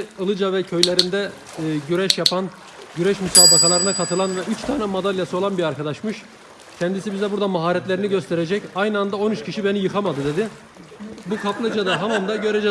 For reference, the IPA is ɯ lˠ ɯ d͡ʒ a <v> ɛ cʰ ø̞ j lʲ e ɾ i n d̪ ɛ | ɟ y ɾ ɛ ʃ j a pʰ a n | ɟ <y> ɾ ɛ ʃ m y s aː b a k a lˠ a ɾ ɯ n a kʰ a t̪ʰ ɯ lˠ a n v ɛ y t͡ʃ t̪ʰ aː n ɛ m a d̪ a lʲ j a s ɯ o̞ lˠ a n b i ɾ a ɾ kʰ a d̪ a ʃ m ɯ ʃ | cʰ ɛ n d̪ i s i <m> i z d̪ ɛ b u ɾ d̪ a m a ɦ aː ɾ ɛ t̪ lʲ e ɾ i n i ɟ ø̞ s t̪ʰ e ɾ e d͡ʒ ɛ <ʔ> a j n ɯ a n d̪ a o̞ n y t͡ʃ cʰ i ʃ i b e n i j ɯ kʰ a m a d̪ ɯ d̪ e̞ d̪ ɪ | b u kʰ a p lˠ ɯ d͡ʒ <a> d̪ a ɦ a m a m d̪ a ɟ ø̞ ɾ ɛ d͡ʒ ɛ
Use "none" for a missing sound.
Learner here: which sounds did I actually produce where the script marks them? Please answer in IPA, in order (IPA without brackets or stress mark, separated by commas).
v, y, b, c, a